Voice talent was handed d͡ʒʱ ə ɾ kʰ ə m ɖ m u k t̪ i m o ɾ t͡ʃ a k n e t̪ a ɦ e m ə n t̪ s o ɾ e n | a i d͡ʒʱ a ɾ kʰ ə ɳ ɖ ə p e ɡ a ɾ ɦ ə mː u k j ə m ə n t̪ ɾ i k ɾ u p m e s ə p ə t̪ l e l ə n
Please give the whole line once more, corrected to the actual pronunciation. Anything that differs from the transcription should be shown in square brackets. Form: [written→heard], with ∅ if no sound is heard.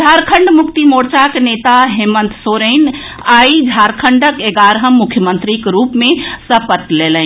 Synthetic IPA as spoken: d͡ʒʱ [ə→a] ɾ kʰ ə [m→ɳ] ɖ m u k t̪ i m o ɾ t͡ʃ a k n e t̪ a ɦ e m ə n t̪ s o ɾ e n | a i d͡ʒʱ a ɾ kʰ ə ɳ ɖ ə [p→k] e ɡ a ɾ ɦ ə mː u [k→kʰ] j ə m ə n t̪ ɾ i k ɾ u p m e s ə p ə t̪ l e l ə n